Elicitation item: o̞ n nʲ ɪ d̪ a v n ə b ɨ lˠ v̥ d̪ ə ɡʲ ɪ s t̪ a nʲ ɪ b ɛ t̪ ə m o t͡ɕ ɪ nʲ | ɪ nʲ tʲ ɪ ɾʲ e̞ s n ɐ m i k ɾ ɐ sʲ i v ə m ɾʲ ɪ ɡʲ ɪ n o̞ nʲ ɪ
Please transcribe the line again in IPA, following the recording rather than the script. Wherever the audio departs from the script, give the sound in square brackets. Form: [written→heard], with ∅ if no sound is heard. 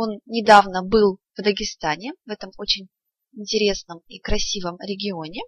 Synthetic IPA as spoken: o̞ n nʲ ɪ d̪ a v n ə b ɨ lˠ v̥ d̪ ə ɡʲ ɪ s t̪ a nʲ ɪ [b→v] ɛ t̪ ə m o t͡ɕ ɪ nʲ | ɪ nʲ tʲ ɪ ɾʲ e̞ s n [ɐ→ə] m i k ɾ ɐ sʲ i v ə m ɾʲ ɪ ɡʲ ɪ [n→∅] o̞ nʲ ɪ